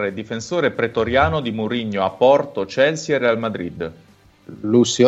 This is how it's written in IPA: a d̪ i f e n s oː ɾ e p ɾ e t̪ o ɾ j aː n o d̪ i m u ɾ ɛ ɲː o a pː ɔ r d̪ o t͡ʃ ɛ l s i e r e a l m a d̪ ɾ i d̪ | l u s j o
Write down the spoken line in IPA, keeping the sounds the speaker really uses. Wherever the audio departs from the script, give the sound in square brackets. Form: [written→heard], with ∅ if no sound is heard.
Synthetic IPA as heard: [a→e] d̪ i f e n s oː ɾ e p ɾ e t̪ o ɾ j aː n o d̪ i m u ɾ [ɛ→i] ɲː o a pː ɔ r [d̪→t̪] o t͡ʃ ɛ l s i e r e a l m a d̪ ɾ i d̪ | l u s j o